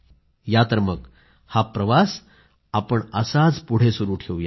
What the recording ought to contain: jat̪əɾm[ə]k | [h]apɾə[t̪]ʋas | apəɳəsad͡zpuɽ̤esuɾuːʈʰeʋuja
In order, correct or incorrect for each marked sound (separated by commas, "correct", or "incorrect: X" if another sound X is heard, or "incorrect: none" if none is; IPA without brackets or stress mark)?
correct, correct, incorrect: none